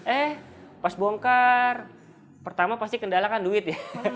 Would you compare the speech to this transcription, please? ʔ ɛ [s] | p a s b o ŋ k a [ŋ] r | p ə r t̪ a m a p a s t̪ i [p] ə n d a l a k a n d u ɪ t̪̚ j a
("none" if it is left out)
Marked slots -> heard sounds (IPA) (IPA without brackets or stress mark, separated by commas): h, none, k